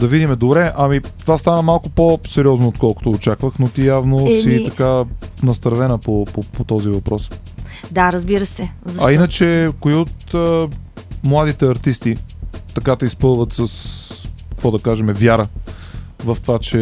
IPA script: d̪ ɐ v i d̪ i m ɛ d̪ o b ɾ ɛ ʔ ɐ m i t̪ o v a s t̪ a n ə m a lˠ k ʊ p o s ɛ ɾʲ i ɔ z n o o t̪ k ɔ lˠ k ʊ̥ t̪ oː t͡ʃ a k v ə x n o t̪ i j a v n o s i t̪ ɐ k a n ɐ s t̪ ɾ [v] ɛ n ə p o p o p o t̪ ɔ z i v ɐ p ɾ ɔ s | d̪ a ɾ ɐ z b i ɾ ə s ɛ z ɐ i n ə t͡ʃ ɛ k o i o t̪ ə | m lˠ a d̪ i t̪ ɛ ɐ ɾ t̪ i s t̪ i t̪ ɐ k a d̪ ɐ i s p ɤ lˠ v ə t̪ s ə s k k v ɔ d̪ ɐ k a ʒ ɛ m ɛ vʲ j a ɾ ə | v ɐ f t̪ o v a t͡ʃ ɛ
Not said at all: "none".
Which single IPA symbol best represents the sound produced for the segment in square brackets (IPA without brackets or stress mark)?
v